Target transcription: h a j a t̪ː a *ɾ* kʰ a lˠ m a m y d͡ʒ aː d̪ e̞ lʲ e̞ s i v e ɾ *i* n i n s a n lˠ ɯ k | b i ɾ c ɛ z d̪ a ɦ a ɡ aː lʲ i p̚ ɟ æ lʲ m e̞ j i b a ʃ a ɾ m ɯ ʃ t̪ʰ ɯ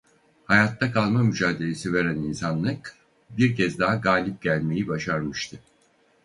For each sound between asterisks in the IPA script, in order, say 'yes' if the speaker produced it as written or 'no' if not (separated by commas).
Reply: no, no